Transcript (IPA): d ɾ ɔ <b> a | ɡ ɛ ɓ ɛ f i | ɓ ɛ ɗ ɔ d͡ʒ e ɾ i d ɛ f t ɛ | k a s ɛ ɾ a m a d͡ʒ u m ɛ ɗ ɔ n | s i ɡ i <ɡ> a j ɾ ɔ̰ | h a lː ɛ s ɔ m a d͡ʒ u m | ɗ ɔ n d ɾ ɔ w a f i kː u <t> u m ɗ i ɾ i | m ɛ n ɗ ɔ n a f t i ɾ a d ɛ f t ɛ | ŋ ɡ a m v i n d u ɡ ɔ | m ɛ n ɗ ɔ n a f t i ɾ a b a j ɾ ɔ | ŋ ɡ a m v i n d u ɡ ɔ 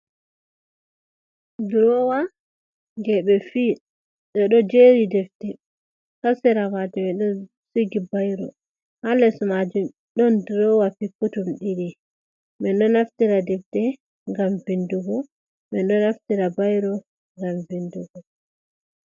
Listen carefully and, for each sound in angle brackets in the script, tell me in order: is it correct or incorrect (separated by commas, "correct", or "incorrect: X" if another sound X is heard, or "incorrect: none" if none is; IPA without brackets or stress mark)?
incorrect: w, incorrect: b, correct